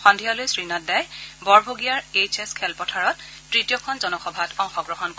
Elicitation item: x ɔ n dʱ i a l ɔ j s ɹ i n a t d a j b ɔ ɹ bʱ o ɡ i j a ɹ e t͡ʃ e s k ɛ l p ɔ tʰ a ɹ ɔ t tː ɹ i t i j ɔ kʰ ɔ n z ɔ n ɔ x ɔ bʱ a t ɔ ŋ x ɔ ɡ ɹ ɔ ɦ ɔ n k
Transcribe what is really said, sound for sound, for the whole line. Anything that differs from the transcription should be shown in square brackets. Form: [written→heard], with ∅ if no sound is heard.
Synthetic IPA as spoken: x ɔ n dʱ i a l [ɔ→o] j s ɹ i n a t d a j b ɔ ɹ bʱ o ɡ i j a ɹ e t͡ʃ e s [k→kʰ] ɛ l p ɔ tʰ a ɹ ɔ t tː ɹ i t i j ɔ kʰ ɔ n z ɔ n ɔ x ɔ bʱ a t ɔ ŋ x ɔ ɡ ɹ ɔ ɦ ɔ n k